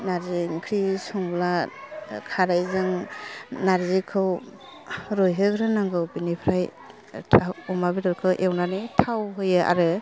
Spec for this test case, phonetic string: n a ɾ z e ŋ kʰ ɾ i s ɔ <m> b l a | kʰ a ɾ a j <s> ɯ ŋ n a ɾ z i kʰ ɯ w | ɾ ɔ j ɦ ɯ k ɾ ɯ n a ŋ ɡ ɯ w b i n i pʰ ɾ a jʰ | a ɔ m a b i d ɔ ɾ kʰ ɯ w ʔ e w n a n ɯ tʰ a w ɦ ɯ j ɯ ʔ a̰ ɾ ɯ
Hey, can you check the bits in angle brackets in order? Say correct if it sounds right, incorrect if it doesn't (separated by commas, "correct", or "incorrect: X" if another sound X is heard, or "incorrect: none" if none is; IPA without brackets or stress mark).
incorrect: ŋ, incorrect: z